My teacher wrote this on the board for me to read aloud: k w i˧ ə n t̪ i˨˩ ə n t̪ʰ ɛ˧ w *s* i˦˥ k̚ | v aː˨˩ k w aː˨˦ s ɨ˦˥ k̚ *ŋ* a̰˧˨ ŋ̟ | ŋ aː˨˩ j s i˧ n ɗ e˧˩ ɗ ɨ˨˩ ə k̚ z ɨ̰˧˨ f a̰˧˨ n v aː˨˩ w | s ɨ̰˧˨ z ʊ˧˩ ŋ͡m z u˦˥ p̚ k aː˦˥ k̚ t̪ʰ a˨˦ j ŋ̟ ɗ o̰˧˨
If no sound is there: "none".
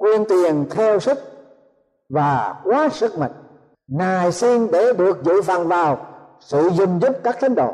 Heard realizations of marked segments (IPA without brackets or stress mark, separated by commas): s, m